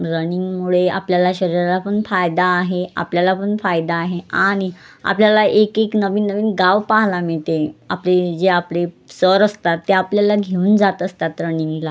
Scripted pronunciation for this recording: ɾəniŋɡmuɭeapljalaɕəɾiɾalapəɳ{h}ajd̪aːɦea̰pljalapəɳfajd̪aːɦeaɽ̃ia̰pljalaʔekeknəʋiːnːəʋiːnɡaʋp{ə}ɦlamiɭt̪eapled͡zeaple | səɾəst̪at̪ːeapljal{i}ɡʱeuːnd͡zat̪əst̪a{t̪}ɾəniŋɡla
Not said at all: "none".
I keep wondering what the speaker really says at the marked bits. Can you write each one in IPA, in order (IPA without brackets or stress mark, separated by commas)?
f, a, a, t̪